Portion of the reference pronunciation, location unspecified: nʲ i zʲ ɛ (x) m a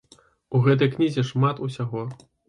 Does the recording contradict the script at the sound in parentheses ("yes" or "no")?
yes